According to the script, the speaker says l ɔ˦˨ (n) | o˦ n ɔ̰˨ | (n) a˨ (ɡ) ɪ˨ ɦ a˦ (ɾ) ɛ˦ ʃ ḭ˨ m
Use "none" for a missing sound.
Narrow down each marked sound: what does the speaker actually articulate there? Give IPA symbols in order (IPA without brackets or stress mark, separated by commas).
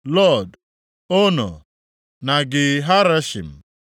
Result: d, n, ɡ, ɾ